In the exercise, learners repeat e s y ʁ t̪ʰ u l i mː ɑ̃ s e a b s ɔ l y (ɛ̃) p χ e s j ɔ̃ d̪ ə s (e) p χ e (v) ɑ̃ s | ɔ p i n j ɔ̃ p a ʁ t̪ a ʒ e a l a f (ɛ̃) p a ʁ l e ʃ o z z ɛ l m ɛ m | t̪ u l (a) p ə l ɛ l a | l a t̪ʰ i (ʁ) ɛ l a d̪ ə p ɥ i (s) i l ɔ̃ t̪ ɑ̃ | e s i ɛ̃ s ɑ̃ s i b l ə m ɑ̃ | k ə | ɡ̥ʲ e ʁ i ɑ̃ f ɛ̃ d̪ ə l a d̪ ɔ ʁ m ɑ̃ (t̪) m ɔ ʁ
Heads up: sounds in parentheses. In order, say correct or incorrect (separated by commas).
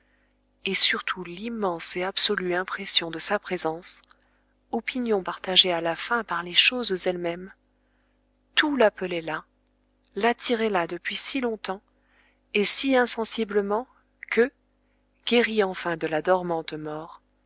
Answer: correct, incorrect, incorrect, correct, correct, correct, correct, correct